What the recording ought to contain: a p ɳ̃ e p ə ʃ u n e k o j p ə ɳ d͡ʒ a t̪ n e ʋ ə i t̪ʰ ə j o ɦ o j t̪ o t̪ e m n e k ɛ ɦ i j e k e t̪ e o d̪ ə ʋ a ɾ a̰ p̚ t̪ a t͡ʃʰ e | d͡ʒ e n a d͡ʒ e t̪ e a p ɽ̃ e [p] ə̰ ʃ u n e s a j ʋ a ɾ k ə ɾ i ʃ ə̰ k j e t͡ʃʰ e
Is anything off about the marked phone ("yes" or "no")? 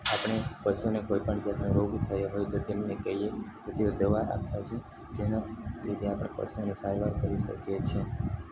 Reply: no